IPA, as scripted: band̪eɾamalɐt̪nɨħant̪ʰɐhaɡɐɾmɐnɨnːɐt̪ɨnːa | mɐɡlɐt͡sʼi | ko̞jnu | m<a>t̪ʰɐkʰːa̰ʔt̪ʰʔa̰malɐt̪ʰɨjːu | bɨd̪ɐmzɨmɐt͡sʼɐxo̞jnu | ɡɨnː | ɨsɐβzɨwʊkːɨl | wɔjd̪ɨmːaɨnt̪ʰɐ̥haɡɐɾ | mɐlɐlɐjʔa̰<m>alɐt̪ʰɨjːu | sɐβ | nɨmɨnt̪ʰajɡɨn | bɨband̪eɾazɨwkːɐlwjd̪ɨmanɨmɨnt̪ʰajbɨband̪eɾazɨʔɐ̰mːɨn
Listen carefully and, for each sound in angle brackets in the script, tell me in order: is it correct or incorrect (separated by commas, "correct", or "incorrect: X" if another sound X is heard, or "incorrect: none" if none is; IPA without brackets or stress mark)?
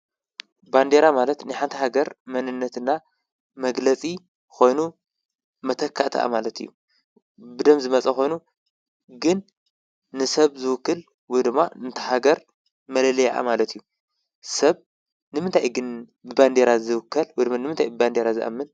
incorrect: ɐ, correct